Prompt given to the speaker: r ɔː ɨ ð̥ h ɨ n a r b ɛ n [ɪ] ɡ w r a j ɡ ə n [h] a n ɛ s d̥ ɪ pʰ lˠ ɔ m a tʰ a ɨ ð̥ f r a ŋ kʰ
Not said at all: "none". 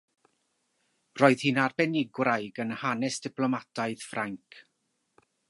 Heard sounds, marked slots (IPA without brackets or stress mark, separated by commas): ɪ, h